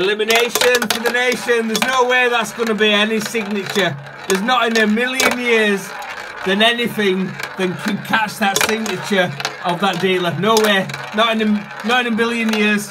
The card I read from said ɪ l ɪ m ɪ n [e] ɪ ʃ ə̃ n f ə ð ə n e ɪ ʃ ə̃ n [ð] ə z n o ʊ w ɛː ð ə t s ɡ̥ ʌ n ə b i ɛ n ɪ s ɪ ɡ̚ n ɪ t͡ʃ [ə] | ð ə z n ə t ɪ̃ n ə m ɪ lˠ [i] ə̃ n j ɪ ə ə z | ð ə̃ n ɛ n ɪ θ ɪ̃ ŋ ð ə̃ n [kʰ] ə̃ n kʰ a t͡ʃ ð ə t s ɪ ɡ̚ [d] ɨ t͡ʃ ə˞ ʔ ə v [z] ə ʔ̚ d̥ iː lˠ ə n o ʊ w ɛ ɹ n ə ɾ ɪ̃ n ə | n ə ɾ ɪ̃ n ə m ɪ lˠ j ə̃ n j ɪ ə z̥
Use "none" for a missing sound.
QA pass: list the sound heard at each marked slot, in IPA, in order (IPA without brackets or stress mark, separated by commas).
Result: e, ð, ə, j, kʰ, n, ð